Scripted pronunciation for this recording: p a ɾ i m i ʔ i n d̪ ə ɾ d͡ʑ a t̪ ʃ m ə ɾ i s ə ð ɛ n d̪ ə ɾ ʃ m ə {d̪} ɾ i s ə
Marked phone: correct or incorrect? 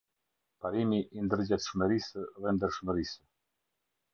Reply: incorrect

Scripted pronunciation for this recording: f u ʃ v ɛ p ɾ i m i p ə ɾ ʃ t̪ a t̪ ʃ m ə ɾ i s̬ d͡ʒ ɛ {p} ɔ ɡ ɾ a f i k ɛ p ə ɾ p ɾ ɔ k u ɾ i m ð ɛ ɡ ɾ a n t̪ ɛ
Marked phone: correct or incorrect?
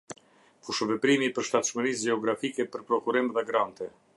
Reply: incorrect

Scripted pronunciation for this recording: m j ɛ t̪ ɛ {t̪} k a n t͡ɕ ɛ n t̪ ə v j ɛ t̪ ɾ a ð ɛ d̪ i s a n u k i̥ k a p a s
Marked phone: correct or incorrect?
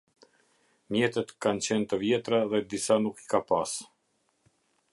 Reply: correct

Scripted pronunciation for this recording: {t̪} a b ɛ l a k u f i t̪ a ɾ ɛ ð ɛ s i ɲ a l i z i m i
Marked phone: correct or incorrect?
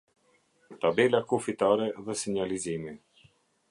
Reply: correct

